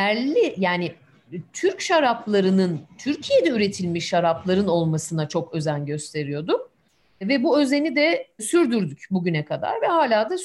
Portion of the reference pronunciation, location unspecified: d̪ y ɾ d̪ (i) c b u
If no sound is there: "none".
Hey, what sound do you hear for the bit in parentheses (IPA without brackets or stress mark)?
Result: y